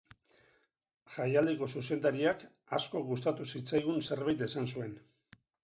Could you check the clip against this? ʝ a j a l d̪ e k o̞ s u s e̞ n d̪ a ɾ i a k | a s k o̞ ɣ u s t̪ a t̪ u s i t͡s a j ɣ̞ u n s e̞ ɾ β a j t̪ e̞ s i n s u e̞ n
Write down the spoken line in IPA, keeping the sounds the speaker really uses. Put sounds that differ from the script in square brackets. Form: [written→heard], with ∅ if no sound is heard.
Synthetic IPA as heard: ʝ a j a l d̪ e k o̞ s u s e̞ n d̪ a ɾ i a k | a s k o̞ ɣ u s t̪ a t̪ u s i t͡s a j ɣ̞ u n s e̞ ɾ β a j t̪ e̞ s [i→a] n s u e̞ n

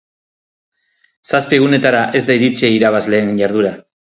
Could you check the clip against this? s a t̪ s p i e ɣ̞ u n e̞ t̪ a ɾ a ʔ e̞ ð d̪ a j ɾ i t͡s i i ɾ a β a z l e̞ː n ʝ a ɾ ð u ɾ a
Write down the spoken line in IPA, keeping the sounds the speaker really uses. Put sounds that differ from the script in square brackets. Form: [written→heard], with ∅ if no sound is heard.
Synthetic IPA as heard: s a [t̪→∅] s p i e ɣ̞ u n e̞ t̪ a ɾ a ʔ e̞ [ð→z] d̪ a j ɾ i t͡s [i→e] i ɾ a β a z l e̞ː n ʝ a ɾ ð u ɾ a

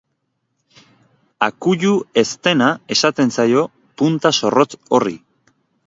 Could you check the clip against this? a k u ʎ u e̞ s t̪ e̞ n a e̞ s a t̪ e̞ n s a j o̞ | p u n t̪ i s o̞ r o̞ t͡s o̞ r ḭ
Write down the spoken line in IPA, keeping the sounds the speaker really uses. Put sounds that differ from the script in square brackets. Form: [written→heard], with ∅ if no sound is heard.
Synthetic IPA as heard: a k u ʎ u e̞ s t̪ e̞ n a e̞ s a t̪ e̞ n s a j o̞ | p u n t̪ [i→a] s o̞ r o̞ t͡s o̞ r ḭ

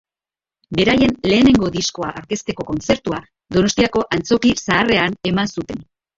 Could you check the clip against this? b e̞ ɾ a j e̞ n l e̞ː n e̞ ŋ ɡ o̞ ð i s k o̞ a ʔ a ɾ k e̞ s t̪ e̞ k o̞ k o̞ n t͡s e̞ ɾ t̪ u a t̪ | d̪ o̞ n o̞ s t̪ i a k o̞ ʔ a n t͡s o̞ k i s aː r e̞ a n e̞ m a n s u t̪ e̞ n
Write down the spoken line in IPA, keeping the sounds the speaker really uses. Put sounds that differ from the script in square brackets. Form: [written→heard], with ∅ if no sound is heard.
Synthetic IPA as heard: b e̞ ɾ a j e̞ n l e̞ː n e̞ ŋ ɡ o̞ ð i s k o̞ a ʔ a ɾ k e̞ s t̪ e̞ k o̞ k o̞ n t͡s e̞ ɾ t̪ u a [t̪→∅] | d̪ o̞ n o̞ s t̪ i a k o̞ ʔ a n t͡s o̞ k i s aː r e̞ a n e̞ m a n s u t̪ e̞ n

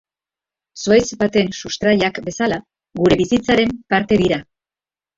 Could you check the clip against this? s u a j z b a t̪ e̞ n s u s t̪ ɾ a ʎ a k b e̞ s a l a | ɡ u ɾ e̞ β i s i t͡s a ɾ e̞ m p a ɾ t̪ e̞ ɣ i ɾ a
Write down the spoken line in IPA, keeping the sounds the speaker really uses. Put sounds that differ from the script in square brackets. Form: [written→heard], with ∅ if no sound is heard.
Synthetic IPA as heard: s u a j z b a t̪ e̞ n s u s t̪ ɾ a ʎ a k b e̞ s a l a | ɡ u ɾ e̞ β i s i t͡s a ɾ e̞ m p a ɾ t̪ e̞ [ɣ→ð] i ɾ a

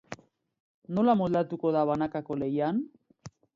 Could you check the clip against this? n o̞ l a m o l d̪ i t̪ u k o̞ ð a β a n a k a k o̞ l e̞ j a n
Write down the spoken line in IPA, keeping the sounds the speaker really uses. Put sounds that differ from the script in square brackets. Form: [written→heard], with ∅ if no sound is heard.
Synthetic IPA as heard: n o̞ l a m o l d̪ [i→a] t̪ u k o̞ ð a β a n a k a k o̞ l e̞ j a n

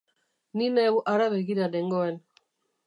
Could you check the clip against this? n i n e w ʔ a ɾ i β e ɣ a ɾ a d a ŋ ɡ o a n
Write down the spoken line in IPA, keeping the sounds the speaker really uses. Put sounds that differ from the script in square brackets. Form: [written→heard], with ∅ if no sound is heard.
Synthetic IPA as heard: n i n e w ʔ a ɾ [i→a] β e ɣ [a→i] ɾ a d [a→e] ŋ ɡ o [a→e] n

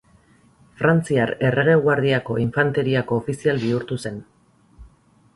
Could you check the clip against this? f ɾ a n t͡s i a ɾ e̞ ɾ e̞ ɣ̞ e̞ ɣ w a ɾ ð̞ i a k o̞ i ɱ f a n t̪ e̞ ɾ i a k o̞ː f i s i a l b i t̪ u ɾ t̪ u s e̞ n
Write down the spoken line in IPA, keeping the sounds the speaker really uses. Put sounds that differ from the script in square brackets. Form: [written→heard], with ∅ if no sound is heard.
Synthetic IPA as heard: f ɾ a n t͡s i a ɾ e̞ [ɾ→r] e̞ ɣ̞ e̞ ɣ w a ɾ ð̞ i a k o̞ i ɱ f a n t̪ e̞ ɾ i a k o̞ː f i s i a l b i [t̪→∅] u ɾ t̪ u s e̞ n

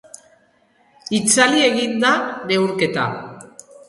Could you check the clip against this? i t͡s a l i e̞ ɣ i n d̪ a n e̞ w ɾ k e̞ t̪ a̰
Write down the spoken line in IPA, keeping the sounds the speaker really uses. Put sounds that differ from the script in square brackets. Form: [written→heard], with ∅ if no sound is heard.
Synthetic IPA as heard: i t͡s a l i e̞ ɣ i n d̪ a n e̞ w ɾ k e̞ t̪ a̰

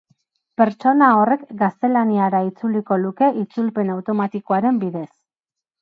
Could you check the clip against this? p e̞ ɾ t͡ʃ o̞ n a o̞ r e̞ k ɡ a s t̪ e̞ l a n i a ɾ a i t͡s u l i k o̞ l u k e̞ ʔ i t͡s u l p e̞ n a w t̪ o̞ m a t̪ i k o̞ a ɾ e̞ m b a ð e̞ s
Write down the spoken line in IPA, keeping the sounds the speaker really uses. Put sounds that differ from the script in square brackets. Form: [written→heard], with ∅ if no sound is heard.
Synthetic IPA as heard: p e̞ ɾ t͡ʃ o̞ n a o̞ r e̞ k ɡ a s t̪ e̞ l a n i a ɾ a i t͡s u l i k o̞ l u k e̞ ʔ i t͡s u l p e̞ n a w t̪ o̞ m a t̪ i k o̞ a ɾ e̞ m b [a→i] ð e̞ s

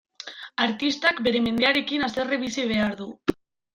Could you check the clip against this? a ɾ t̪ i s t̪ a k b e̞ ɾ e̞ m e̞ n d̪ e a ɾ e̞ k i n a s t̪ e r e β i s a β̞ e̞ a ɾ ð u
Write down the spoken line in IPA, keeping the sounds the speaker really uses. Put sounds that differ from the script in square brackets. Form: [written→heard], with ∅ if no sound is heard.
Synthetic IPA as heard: a ɾ t̪ i s t̪ a k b e̞ ɾ e̞ m e̞ n d̪ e a ɾ e̞ k i n a s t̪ e r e β i s [a→i] β̞ e̞ a ɾ ð u

